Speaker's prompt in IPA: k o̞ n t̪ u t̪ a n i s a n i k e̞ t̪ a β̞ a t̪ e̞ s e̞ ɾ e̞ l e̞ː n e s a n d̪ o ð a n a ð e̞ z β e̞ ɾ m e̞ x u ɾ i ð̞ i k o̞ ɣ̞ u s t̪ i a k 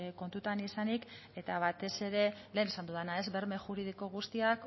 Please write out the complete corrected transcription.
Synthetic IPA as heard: k o̞ n t̪ u t̪ a n i s a n i k e̞ t̪ a β̞ a t̪ e̞ s e̞ ɾ e̞ l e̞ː n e s a n d̪ u ð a n a e̞ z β e̞ ɾ m e̞ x u ɾ i ð̞ i k o̞ ɣ̞ u s t̪ i a k